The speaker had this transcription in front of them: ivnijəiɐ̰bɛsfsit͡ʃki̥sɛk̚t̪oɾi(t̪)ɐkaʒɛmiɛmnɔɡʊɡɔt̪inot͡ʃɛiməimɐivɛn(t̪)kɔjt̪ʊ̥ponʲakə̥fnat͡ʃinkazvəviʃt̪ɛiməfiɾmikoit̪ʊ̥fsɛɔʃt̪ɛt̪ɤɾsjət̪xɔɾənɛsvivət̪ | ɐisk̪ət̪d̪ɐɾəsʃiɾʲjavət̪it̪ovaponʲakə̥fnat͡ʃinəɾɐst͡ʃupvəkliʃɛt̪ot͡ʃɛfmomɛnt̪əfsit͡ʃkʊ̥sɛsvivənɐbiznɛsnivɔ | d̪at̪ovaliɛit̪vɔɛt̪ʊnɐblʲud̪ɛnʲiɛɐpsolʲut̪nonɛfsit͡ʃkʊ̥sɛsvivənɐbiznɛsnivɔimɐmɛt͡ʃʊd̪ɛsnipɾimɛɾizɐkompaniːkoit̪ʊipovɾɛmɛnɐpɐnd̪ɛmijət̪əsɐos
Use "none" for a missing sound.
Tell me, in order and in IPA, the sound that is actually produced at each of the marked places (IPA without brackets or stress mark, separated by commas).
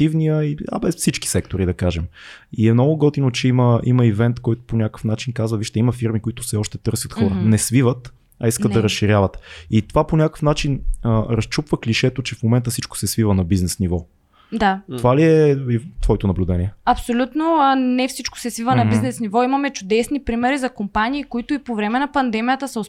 d̪, t̪